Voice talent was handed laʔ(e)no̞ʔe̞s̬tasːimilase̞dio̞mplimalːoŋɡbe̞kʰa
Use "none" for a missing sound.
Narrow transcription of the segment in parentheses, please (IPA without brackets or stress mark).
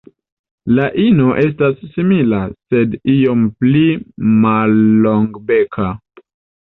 i